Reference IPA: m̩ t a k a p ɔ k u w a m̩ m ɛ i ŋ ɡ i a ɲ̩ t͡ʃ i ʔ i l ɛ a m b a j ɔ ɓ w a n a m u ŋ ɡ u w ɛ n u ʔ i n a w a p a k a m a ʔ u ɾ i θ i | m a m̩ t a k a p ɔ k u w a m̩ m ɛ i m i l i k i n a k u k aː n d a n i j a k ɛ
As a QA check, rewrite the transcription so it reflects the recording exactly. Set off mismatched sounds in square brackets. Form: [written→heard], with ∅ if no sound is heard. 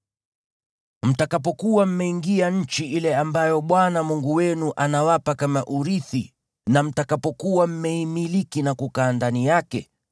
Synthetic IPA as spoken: m̩ t a k a p ɔ k u w a m̩ m ɛ i ŋ ɡ i a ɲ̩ t͡ʃ i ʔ i l ɛ a m b a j ɔ ɓ w a n a m u ŋ ɡ u w ɛ n u ʔ [i→a] n a w a p a k a m a ʔ u ɾ i θ i | [m→n] a m̩ t a k a p ɔ k u w a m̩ m ɛ i m i l i k i n a k u k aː n d a n i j a k ɛ

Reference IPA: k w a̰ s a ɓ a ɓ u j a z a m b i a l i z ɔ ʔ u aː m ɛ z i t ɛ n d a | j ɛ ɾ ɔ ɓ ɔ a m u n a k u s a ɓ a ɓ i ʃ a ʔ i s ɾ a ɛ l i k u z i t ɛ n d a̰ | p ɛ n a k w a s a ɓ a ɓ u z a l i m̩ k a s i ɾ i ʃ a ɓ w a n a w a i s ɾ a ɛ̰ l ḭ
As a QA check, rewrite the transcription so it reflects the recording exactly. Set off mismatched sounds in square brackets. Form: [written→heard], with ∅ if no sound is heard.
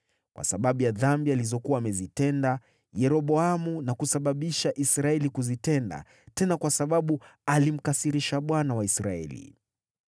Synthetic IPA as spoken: k w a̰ s a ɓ a ɓ u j a [z→ð] a m b i a l i z ɔ [ʔ→k] u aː m ɛ z i t ɛ n d a | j ɛ ɾ ɔ ɓ ɔ a m u n a k u s a ɓ a ɓ i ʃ a ʔ i s ɾ a ɛ l i k u z i t ɛ n d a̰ | [p→t] ɛ n a k w a s a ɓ a ɓ u [z→∅] a l i m̩ k a s i ɾ i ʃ a ɓ w a n a w a i s ɾ a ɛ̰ l ḭ

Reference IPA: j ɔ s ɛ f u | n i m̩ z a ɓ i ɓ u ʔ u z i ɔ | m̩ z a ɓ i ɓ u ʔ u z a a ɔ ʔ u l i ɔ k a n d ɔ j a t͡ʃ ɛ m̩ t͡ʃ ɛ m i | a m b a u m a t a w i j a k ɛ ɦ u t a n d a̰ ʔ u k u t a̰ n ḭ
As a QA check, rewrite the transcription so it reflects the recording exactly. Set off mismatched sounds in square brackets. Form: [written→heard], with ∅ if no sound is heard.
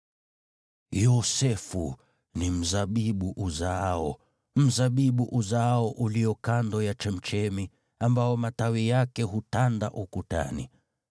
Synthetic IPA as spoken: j ɔ s ɛ f u | n i m̩ z a ɓ i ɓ u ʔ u z [i→a] ɔ | m̩ z a ɓ i ɓ u ʔ u z a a ɔ ʔ u l i ɔ k a n d ɔ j a t͡ʃ ɛ m̩ t͡ʃ ɛ m i | a m b a [u→ɔ] m a t a w i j a k ɛ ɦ u t a n d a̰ ʔ u k u t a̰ n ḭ

